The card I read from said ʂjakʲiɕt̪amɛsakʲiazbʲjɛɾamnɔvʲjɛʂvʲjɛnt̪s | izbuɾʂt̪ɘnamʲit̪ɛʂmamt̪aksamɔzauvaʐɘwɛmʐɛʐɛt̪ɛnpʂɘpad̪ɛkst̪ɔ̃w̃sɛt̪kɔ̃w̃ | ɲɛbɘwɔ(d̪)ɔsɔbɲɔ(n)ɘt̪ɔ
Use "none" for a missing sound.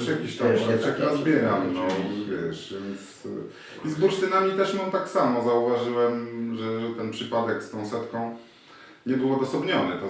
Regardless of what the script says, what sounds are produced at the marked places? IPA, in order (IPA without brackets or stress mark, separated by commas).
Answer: d̪, n